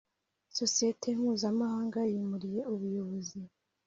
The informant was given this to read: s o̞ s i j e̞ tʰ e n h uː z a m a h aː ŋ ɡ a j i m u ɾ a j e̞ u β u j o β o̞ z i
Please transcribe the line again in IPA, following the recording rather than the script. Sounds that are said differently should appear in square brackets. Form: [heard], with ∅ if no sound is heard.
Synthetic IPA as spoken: s o̞ s i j e̞ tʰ e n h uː z a m a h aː ŋ ɡ a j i m u ɾ [i] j e̞ u β u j o β o̞ z i